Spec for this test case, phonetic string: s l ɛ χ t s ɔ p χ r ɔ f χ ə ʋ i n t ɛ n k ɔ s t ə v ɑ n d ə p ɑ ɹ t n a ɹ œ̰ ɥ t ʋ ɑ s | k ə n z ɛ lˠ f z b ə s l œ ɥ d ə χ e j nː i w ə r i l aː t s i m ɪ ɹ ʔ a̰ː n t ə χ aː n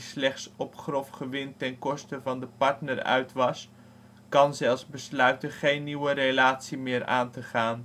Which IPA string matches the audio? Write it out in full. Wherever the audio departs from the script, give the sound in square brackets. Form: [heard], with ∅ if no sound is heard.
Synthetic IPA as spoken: s l ɛ χ t s ɔ p χ r ɔ f χ ə ʋ [ɪ] n t ɛ n k ɔ s t ə v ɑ n d ə p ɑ ɹ t n [ə] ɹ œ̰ ɥ t ʋ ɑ s | k [ɑ] n z ɛ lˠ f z b ə s l œ ɥ [t] ə χ e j nː i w ə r [e] l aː t s i m [ɪː] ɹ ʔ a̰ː n t ə χ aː n